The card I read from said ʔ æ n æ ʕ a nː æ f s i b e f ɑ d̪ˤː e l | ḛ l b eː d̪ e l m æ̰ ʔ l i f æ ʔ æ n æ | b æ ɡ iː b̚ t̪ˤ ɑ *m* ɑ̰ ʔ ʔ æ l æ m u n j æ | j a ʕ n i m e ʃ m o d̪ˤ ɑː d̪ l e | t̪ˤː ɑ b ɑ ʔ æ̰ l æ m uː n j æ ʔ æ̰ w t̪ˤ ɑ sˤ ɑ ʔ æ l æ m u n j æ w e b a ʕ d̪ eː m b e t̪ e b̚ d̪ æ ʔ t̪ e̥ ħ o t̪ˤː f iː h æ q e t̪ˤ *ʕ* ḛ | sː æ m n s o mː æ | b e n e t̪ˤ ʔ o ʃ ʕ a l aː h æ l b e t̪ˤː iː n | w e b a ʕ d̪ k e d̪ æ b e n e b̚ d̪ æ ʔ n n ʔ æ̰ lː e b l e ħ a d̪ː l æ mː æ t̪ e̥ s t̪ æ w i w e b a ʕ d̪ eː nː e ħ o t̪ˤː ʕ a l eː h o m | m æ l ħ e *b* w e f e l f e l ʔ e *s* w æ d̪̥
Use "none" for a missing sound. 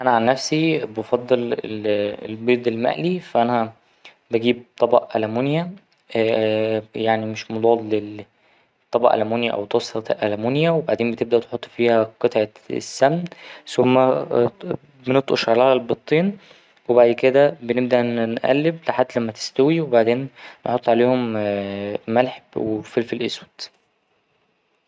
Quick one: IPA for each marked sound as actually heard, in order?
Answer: b, ʕ, b, s

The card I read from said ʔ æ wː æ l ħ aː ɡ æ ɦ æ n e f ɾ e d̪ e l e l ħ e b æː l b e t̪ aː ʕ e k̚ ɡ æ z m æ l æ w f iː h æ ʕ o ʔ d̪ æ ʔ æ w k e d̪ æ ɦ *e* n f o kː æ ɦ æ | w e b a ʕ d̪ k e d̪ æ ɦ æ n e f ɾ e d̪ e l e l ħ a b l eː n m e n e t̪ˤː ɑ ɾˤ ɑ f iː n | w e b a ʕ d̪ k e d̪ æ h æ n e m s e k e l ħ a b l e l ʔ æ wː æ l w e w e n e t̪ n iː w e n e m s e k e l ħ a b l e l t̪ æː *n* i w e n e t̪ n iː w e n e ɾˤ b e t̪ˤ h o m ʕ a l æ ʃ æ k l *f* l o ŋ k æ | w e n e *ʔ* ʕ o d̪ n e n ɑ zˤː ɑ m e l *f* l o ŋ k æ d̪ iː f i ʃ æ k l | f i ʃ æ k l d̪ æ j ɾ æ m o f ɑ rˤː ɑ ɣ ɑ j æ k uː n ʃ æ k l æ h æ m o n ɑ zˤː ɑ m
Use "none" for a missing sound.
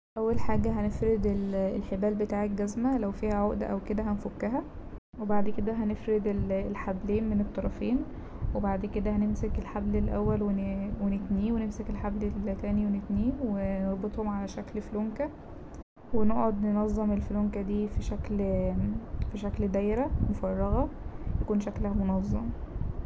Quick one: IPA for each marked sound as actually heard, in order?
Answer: æ, n, f, ʔ, f

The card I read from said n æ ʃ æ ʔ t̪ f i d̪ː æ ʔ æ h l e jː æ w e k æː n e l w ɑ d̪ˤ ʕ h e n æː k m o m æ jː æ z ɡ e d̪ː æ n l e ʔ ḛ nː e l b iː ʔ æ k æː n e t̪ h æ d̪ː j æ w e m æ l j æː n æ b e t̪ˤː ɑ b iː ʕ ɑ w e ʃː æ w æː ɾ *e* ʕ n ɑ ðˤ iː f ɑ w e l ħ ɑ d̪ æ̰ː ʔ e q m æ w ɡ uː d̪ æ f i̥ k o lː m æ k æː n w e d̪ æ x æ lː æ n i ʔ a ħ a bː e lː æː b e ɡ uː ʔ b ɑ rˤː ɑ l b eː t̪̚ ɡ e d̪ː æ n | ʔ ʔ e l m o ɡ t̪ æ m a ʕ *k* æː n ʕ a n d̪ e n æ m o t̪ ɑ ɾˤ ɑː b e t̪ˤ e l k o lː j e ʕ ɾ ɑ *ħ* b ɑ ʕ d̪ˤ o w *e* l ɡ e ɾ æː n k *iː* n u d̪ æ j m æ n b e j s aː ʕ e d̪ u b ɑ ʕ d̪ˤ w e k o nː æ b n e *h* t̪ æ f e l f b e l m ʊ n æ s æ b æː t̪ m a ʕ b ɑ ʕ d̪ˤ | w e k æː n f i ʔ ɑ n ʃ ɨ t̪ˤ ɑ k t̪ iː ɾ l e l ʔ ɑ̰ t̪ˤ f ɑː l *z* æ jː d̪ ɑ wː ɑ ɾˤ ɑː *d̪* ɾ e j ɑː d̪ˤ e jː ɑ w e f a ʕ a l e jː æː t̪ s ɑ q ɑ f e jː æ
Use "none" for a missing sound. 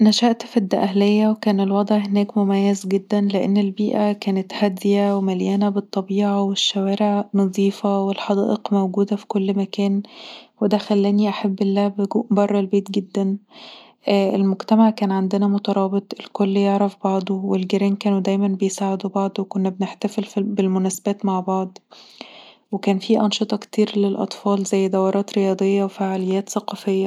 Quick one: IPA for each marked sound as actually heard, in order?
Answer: e, k, f, e, æː, ħ, z, t̪

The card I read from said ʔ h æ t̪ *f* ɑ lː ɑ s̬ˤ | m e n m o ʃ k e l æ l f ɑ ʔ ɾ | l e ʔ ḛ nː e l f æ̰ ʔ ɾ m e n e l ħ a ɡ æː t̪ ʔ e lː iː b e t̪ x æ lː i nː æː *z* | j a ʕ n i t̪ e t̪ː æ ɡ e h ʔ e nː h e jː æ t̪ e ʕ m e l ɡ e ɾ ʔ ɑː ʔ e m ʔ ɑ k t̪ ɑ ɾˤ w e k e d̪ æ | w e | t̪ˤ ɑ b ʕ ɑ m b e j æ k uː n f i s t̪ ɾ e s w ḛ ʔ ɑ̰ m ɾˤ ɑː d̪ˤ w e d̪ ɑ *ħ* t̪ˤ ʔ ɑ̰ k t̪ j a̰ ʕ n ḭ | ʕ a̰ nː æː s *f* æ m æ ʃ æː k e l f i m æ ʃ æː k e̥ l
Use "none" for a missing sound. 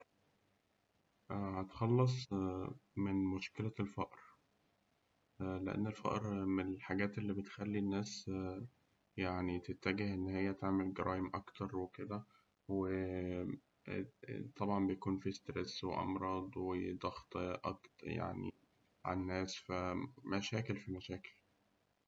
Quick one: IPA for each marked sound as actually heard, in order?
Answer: x, s, x, f

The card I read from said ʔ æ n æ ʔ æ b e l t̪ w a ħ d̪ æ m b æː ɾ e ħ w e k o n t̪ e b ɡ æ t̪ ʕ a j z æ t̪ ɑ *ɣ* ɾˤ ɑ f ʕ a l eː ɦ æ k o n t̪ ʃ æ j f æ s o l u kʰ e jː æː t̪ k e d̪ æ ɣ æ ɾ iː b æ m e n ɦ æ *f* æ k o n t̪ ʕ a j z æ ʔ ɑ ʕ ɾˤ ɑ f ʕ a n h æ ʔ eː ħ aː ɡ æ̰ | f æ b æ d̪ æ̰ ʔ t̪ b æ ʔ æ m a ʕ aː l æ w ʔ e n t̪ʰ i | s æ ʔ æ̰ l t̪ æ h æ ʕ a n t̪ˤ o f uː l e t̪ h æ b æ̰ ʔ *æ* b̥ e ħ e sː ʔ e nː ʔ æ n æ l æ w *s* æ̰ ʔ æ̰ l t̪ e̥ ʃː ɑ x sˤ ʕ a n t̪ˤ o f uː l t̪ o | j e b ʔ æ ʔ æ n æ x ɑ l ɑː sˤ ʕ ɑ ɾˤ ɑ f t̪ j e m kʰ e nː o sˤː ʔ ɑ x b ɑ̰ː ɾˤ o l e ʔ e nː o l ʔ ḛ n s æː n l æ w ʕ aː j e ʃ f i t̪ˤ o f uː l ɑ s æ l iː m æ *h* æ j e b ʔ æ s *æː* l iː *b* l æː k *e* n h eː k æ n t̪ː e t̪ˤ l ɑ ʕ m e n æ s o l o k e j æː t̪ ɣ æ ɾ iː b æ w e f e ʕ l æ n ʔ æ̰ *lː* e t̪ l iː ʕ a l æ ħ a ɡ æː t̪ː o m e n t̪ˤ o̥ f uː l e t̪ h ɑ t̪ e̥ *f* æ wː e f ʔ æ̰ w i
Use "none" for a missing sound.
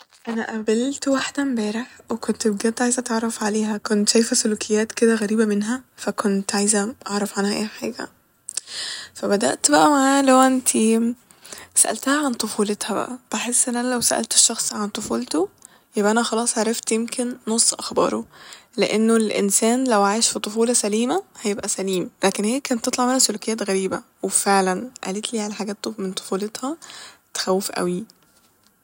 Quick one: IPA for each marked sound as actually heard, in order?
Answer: ʕ, f, æ, s, h, æ, m, e, l, x

